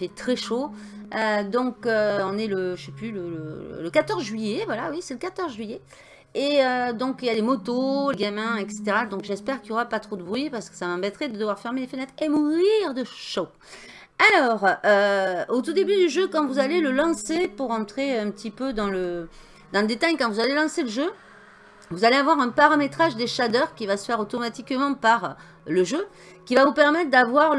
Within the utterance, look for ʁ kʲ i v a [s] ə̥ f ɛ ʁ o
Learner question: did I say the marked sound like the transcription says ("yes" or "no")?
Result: yes